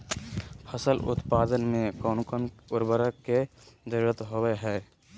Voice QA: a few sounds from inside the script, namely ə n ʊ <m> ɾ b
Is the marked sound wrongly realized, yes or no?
yes